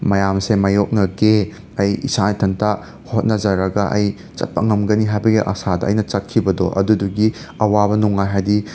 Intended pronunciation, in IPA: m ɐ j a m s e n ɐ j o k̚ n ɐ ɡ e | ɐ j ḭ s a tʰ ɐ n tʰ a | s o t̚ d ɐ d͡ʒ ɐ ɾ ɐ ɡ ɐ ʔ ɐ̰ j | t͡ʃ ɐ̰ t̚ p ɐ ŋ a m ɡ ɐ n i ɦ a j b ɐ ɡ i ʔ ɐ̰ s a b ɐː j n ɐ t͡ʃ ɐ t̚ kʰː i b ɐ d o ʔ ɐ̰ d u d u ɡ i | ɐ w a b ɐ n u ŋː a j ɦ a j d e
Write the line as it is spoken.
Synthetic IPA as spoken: m ɐ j a m s e m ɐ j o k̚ n ɐ ɡ e | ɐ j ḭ s a tʰ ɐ n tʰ a | h o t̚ n ɐ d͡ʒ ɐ ɾ ɐ ɡ ɐ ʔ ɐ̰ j | t͡ʃ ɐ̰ t̚ p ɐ ŋ ɐ m ɡ ɐ n i ɦ a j b ɐ ɡ i ʔ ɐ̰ s a d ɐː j n ɐ t͡ʃ ɐ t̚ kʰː i b ɐ d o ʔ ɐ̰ d u d u ɡ i | ɐ w a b ɐ n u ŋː a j ɦ a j d i